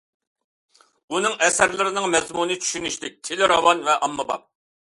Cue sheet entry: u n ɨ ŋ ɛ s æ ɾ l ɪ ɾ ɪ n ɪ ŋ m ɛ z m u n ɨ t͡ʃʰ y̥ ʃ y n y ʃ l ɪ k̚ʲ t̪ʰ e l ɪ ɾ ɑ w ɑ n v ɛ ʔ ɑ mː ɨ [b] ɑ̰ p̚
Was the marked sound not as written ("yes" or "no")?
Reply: no